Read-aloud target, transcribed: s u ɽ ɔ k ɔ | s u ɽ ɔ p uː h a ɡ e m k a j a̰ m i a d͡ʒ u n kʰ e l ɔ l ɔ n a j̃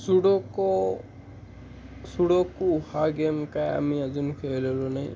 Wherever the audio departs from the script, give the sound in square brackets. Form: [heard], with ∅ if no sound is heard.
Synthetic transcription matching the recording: s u ɽ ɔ k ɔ | s u ɽ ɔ [k] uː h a ɡ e m k a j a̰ m i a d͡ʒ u n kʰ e l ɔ l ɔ n a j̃

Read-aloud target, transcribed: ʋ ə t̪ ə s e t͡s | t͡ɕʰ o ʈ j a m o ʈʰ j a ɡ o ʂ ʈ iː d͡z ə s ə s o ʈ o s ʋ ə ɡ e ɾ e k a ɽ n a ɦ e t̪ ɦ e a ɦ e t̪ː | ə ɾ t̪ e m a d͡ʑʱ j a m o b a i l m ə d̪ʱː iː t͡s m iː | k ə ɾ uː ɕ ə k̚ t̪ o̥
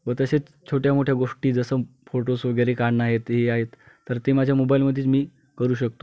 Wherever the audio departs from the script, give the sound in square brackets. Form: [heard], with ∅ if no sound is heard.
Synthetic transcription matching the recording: ʋ ə t̪ ə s e t͡s | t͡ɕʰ o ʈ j a m o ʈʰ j a ɡ o ʂ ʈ iː d͡z ə s ə [f] o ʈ o s ʋ ə ɡ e ɾ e k a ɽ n a ɦ e t̪ ɦ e a ɦ e t̪ː | ə ɾ t̪ e m a d͡ʑʱ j a m o b a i l m ə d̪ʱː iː t͡s m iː | k ə ɾ uː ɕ ə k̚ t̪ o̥

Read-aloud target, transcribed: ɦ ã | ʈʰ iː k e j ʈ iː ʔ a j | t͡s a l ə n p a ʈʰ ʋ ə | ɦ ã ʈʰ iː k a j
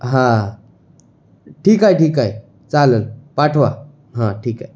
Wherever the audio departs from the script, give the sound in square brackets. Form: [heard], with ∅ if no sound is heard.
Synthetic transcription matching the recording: ɦ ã | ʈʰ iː k [a] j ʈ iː [k] a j | t͡s a l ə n p a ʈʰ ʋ [a] | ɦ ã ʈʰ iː k a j

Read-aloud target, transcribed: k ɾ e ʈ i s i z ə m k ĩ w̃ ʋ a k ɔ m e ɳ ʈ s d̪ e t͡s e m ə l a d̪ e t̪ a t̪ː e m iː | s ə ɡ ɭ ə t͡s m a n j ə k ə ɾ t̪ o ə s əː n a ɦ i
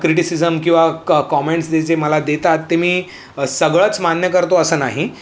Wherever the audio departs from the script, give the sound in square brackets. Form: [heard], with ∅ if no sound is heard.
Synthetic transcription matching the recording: k ɾ [i] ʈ i s i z ə m k ĩ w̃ ʋ a k ɔ m e ɳ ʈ s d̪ e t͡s e m ə l a d̪ e t̪ a t̪ː e m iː | s ə ɡ ɭ ə t͡s m a n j ə k ə ɾ t̪ o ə s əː n a ɦ i

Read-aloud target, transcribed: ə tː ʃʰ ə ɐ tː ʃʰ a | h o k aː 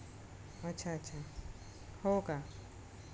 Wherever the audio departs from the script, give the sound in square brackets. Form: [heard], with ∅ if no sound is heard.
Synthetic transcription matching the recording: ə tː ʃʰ [a] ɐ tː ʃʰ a | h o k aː

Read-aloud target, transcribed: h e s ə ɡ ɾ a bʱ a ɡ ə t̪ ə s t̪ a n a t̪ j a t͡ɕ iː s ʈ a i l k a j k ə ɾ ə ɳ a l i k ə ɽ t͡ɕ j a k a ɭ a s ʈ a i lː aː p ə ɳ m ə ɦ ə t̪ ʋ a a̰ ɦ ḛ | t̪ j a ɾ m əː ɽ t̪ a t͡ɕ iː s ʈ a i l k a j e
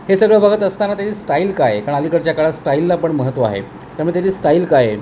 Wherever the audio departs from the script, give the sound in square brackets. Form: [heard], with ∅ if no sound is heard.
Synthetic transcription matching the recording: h e s ə ɡ [ɭ] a bʱ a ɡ ə t̪ ə s t̪ a n a t̪ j a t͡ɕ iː s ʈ a i l k a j k [a] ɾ ə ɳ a l i k ə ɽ t͡ɕ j a k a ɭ a s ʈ a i lː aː p ə ɳ m ə ɦ ə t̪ ʋ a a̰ ɦ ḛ | t̪ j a ɾ m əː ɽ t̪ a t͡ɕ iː s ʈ a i l k a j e

